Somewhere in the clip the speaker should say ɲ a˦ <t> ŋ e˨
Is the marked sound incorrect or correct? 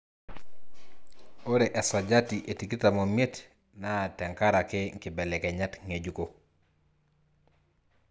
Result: correct